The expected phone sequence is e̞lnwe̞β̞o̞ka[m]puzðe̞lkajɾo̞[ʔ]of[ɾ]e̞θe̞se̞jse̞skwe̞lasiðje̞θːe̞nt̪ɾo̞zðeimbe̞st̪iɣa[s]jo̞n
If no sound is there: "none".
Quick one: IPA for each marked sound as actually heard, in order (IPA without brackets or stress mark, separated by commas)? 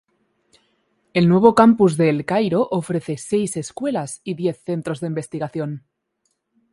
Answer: m, ʔ, ɾ, θ